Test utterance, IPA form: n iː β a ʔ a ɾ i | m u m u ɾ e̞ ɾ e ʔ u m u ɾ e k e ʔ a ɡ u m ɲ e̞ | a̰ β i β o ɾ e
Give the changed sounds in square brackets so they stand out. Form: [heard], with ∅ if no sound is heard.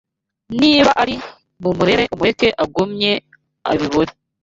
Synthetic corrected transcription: n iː β a ʔ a ɾ i | m u m u ɾ e̞ ɾ e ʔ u m u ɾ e k e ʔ a ɡ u m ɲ e̞ | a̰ β i β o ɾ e